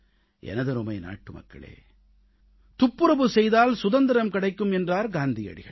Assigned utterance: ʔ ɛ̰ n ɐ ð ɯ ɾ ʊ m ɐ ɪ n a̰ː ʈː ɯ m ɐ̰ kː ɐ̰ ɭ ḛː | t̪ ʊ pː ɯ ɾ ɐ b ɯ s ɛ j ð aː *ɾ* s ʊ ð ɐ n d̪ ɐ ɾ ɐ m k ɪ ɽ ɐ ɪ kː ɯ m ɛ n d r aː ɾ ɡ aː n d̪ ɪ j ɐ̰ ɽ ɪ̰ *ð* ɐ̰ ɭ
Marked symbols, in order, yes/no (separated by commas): no, no